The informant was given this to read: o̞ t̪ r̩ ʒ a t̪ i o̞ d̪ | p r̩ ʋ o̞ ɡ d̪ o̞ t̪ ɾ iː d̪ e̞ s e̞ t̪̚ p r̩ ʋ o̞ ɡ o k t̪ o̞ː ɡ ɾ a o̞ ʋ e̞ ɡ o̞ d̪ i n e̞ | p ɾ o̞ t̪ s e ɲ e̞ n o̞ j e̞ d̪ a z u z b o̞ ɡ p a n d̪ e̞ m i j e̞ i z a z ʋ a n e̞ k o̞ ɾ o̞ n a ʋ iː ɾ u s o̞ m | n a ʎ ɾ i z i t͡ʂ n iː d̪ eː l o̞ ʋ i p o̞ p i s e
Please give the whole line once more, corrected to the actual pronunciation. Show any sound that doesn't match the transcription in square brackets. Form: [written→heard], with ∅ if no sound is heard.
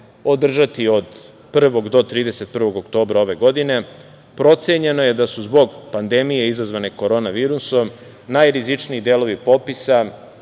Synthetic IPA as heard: o̞ [t̪→d̪] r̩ ʒ a t̪ i o̞ d̪ | p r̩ ʋ o̞ ɡ d̪ o̞ t̪ ɾ iː d̪ e̞ s e̞ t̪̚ p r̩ ʋ o̞ ɡ o k t̪ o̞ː [ɡ→b] ɾ a o̞ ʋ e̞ ɡ o̞ d̪ i n e̞ | p ɾ o̞ t̪ s e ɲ e̞ n o̞ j e̞ d̪ a [z→s] u z b o̞ ɡ p a n d̪ e̞ m i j e̞ i z a z ʋ a n e̞ k o̞ ɾ o̞ n a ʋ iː ɾ u s o̞ m | n a [ʎ→j] ɾ i z i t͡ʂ n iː d̪ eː l o̞ ʋ i p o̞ p i s [e→a]